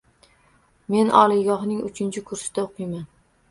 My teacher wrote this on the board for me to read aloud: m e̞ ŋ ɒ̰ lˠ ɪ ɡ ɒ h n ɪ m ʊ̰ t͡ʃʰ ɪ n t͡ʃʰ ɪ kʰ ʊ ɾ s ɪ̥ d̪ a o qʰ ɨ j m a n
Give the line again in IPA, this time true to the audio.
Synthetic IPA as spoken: m e̞ n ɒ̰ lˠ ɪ ɡ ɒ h n ɪ ŋ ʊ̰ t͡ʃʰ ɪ n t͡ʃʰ ɪ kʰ ʊ ɾ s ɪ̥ d̪ a o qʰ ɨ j m a n